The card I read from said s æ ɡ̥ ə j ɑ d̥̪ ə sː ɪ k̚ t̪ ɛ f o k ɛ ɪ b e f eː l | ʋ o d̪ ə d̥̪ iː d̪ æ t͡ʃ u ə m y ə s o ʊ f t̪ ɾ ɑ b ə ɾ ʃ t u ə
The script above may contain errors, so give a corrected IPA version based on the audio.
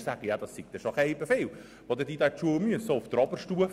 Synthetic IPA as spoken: s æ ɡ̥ ə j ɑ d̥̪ ɑ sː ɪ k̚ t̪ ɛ ʃ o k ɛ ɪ b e f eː l | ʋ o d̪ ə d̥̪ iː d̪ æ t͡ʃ u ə m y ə s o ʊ f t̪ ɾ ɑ b ə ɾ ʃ t u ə